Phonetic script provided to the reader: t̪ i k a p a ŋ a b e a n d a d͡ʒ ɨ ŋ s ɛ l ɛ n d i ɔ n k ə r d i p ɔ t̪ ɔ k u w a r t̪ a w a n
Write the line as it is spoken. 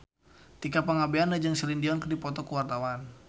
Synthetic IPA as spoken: t̪ i k a p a ŋ a b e a n d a d͡ʒ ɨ ŋ s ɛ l i n d i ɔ n k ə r d i p ɔ t̪ ɔ k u w a r t̪ a w a n